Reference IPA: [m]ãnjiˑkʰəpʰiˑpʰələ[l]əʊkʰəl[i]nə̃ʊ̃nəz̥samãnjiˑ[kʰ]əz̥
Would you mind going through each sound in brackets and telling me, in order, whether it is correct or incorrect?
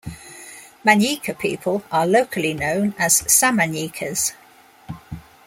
correct, correct, correct, correct

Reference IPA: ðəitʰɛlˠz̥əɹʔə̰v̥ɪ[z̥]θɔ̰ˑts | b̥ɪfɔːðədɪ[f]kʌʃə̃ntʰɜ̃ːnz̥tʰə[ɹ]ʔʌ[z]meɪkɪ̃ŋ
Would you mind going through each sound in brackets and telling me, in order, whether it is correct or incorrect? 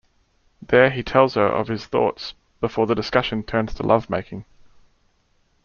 correct, incorrect, incorrect, incorrect

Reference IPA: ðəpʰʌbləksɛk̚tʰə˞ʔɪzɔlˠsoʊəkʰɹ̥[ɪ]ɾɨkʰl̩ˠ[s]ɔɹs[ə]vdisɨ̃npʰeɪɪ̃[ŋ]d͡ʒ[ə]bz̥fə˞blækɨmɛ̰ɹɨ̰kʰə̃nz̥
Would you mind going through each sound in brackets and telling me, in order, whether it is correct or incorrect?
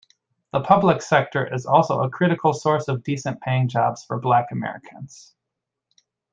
correct, correct, incorrect, correct, incorrect

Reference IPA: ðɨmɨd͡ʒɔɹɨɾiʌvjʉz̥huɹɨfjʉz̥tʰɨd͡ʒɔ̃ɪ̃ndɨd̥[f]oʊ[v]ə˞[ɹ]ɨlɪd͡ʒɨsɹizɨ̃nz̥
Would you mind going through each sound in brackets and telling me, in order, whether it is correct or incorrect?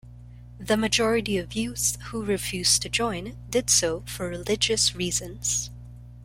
incorrect, incorrect, correct

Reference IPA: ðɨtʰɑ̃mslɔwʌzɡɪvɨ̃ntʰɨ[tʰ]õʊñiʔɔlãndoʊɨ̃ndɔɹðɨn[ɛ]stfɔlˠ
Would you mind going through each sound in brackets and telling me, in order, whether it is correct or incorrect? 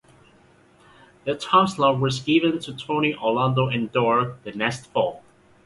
correct, correct

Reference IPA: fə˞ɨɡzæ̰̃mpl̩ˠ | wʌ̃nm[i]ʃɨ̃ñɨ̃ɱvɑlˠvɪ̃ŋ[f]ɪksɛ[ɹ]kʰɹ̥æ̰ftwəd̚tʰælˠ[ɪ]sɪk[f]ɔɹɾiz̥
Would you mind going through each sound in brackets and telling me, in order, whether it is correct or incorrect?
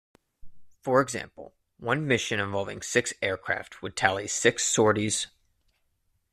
incorrect, incorrect, correct, incorrect, incorrect

